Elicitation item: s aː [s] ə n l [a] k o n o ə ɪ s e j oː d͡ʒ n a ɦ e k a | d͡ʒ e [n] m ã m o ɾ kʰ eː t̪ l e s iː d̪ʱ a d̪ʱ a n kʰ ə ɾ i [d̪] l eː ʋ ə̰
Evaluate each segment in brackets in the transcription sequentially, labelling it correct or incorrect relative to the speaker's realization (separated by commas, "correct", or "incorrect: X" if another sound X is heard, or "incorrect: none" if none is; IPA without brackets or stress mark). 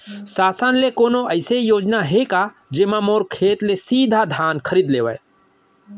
correct, incorrect: e, incorrect: none, correct